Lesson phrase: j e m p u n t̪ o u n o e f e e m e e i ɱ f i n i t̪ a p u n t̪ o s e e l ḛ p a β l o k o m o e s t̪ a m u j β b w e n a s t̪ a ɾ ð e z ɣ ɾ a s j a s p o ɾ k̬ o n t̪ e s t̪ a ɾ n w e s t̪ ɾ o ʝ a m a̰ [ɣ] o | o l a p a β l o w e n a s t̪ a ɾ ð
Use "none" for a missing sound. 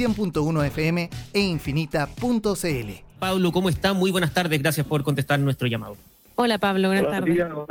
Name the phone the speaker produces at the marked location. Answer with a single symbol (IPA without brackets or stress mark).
ð